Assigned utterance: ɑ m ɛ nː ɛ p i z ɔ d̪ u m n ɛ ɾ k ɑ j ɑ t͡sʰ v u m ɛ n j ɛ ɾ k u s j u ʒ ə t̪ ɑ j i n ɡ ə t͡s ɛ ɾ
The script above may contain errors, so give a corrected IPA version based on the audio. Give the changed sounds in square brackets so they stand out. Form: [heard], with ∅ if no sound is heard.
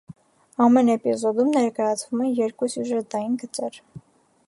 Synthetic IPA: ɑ m ɛ [n] ɛ p i z ɔ d̪ u m n ɛ ɾ k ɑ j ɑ t͡sʰ v u m ɛ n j ɛ ɾ k u s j u ʒ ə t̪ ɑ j i n ɡ ə t͡s ɛ ɾ